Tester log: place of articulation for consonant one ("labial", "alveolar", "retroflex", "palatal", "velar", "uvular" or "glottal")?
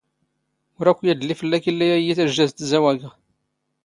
alveolar